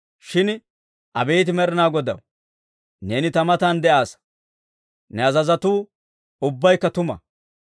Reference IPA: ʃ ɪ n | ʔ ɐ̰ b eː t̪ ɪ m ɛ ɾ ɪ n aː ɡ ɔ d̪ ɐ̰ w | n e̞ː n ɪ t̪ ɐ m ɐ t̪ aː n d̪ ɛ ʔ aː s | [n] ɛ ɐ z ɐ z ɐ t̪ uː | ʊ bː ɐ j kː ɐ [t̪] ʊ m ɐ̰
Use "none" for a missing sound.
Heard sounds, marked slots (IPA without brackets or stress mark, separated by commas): n, t̪